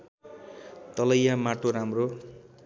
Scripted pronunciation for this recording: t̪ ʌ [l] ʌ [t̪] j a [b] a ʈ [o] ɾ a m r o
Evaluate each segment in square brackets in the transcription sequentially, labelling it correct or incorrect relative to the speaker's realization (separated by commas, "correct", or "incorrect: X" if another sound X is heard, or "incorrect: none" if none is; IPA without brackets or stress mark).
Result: correct, incorrect: none, incorrect: m, correct